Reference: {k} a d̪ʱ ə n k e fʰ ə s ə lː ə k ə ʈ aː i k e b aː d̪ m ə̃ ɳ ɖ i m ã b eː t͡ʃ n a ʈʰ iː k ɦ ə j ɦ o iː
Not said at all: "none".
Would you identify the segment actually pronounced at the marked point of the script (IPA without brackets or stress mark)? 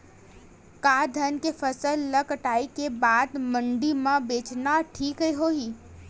k